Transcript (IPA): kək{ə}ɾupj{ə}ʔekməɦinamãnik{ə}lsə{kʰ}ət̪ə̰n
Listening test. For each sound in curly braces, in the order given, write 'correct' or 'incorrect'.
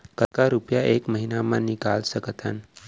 incorrect, incorrect, incorrect, incorrect

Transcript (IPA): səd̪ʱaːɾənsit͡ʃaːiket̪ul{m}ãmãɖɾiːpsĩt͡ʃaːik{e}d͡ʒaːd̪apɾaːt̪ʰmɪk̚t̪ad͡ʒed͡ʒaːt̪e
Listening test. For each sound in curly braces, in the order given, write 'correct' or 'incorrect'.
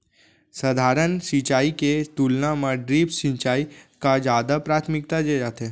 incorrect, incorrect

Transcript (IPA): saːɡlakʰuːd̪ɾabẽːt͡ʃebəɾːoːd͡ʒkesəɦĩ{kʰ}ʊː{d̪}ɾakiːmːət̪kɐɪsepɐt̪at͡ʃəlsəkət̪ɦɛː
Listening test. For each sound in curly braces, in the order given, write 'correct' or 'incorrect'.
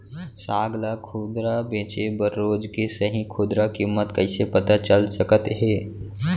correct, correct

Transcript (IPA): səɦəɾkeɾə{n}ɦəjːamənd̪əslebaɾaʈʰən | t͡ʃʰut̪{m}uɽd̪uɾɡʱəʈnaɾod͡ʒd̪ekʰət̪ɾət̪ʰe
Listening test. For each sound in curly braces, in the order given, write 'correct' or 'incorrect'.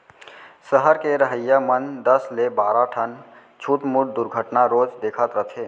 incorrect, correct

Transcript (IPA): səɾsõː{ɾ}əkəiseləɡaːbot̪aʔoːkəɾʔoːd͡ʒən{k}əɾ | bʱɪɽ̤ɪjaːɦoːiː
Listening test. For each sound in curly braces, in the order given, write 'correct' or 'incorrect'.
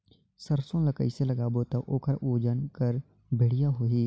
incorrect, correct

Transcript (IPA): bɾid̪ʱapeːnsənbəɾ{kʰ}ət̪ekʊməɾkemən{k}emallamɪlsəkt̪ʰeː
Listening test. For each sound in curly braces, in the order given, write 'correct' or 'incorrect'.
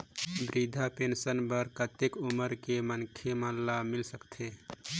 incorrect, incorrect

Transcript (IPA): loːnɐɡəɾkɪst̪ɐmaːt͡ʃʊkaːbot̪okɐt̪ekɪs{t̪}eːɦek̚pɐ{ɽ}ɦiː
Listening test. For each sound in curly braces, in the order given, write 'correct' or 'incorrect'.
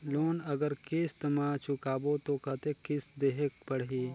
incorrect, correct

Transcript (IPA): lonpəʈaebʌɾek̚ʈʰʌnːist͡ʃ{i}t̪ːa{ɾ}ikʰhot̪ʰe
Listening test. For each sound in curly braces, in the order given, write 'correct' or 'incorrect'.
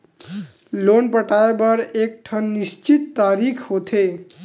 correct, correct

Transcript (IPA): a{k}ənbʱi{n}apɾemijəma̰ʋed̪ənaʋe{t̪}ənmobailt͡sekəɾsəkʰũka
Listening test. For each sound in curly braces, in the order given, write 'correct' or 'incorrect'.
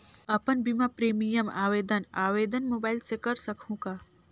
incorrect, incorrect, incorrect

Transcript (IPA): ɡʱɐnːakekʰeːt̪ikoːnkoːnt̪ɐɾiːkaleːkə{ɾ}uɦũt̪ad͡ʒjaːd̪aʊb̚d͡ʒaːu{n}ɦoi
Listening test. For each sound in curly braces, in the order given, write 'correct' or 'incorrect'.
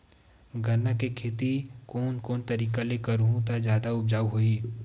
correct, incorrect

